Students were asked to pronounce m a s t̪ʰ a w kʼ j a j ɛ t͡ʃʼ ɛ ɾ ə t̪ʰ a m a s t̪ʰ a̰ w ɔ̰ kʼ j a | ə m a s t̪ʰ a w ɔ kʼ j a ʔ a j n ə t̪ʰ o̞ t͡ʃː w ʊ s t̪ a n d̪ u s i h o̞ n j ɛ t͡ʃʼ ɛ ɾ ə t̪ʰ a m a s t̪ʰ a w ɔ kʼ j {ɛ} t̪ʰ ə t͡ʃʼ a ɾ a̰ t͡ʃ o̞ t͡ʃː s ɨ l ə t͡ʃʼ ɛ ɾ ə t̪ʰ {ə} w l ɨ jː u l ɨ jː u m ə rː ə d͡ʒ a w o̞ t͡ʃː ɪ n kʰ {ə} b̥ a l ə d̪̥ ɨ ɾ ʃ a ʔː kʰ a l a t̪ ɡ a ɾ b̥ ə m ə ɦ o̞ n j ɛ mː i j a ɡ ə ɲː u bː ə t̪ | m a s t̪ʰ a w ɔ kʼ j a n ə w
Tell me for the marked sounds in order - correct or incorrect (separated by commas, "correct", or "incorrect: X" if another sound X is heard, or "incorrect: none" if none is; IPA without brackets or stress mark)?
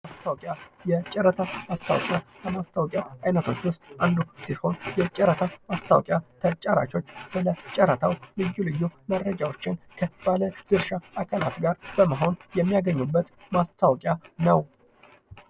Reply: incorrect: a, incorrect: a, correct